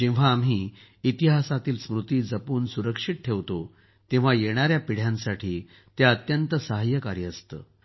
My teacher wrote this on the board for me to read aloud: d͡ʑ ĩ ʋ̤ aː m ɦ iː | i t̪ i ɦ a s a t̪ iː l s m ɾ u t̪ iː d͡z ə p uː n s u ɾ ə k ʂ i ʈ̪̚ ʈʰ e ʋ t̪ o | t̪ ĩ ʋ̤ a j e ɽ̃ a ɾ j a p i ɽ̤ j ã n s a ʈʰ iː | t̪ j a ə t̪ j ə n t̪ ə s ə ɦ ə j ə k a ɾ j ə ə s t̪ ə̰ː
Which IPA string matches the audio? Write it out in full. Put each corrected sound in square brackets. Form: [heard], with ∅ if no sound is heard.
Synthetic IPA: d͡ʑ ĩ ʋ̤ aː m ɦ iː | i t̪ i ɦ a s a t̪ iː l s m ɾ u t̪ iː d͡z ə p uː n s u ɾ ə k ʂ i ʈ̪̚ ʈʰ e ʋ t̪ o | t̪ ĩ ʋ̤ a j e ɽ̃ a ɾ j a p i ɽ̤ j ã n s a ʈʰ iː | t̪ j a ə t̪ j ə n t̪ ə s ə ɦ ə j ə k a ɾ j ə ə s t̪ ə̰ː